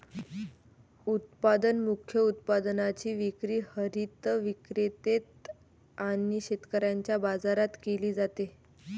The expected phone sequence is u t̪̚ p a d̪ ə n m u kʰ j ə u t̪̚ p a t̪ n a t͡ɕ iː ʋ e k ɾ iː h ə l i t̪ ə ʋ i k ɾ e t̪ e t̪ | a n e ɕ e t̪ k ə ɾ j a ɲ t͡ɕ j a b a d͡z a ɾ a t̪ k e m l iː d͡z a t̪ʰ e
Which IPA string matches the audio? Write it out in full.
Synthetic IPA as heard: u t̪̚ p a d̪ ə n m u kʰ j ə u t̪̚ p a d̪ n a t͡ɕ iː ʋ i k ɾ iː h ə ɾ i t̪ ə ʋ i k ɾ e t̪ e t̪ | a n i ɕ e t̪ k ə ɾ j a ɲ t͡ɕ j a b a d͡z a ɾ a t̪ k e l iː d͡z a t̪ e